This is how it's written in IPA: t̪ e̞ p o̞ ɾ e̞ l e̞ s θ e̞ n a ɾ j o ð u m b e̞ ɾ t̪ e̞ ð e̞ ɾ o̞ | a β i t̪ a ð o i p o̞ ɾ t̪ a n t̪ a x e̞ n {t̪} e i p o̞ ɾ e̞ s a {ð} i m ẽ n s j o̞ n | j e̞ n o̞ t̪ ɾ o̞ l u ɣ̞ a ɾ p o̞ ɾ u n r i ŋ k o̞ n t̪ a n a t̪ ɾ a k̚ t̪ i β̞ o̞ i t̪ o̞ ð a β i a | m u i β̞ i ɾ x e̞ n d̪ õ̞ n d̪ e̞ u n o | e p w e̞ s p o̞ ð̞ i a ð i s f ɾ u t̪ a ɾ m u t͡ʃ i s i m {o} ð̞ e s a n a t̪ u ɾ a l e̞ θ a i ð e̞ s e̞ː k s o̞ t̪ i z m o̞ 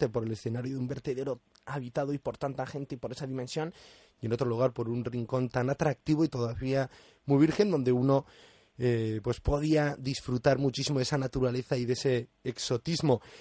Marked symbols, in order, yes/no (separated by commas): yes, yes, yes